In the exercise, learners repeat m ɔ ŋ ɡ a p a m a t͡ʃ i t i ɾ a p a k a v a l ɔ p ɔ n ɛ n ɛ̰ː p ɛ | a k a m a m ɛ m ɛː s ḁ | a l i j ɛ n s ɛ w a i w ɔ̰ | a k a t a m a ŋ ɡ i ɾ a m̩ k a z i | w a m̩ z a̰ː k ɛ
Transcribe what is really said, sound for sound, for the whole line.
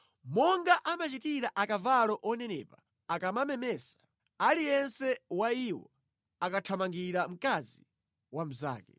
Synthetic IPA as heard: m ɔ ŋ ɡ a ʔ a m a t͡ʃ i t i ɾ a ʔ a k a v a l ɔ ʔ ɔ n ɛ n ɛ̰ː p a | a k a m a m ɛ m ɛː s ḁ | a l i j ɛ n s ɛ w a i w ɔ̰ | a k a tʰ a m a ŋ ɡ i ɾ a m̩ k a z i | w a m̩ z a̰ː k ɛ